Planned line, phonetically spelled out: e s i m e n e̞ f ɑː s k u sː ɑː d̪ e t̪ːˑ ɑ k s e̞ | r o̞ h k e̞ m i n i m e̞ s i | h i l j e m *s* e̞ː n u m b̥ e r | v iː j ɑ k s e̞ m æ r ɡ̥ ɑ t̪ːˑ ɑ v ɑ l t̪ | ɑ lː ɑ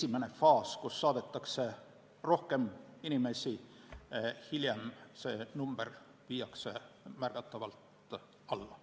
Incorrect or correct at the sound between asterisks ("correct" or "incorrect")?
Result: correct